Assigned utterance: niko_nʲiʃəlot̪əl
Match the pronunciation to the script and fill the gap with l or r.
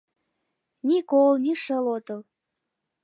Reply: l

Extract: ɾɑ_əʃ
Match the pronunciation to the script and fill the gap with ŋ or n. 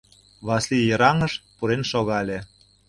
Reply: ŋ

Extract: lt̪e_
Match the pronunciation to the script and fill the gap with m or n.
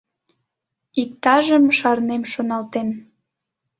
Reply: n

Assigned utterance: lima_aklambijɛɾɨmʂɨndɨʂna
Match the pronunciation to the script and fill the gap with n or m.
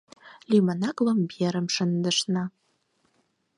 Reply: n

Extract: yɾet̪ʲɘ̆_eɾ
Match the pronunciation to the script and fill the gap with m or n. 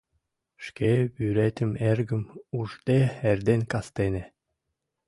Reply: m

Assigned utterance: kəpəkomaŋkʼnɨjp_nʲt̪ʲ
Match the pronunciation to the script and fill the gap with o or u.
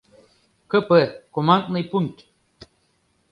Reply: u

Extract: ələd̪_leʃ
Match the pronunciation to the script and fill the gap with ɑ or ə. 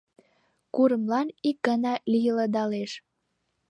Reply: ɑ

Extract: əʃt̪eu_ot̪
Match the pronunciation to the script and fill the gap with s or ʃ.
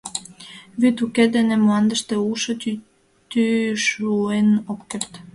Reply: ʃ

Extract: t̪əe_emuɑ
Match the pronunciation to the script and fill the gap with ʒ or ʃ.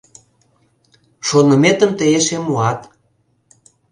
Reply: ʃ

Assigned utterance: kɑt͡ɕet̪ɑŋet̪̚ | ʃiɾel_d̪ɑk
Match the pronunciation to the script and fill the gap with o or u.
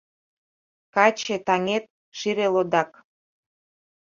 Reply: o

